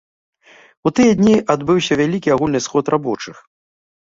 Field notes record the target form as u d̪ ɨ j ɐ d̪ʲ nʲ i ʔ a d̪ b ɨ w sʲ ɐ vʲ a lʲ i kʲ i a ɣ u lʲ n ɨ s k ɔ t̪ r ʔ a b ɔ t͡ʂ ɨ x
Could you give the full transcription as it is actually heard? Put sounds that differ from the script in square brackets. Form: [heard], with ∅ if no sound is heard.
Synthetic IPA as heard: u [t̪] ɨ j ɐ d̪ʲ nʲ i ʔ a d̪ b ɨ w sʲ ɐ vʲ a lʲ i kʲ i a ɣ u lʲ n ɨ s [x] ɔ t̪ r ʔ a b ɔ t͡ʂ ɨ x